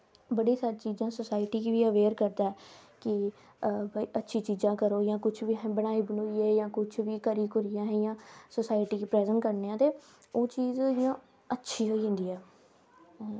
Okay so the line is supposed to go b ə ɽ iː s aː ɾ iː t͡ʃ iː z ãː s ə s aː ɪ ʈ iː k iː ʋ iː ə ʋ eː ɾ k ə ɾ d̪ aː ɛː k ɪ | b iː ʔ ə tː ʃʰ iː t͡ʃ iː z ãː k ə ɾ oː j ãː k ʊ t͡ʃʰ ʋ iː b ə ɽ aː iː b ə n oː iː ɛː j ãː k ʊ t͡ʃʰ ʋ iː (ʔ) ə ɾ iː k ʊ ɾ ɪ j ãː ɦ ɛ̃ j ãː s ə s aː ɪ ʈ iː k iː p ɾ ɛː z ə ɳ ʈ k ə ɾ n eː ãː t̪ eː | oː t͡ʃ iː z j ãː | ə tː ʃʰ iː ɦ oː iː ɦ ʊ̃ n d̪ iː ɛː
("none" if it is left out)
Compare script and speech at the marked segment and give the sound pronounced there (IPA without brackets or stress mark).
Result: k